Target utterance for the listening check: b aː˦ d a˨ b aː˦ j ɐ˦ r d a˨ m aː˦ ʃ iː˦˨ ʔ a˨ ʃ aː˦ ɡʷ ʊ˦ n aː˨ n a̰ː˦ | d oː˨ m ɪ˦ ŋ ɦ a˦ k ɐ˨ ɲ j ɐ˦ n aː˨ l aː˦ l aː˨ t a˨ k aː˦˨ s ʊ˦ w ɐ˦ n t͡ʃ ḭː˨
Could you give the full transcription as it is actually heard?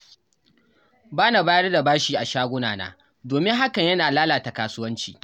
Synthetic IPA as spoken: b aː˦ n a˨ b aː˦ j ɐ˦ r d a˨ b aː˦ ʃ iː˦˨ ʔ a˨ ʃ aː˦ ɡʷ ʊ˦ n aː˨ n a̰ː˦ | d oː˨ m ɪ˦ ŋ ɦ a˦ k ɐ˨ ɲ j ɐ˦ n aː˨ l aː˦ l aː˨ t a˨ k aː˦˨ s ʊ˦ w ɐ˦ n t͡ʃ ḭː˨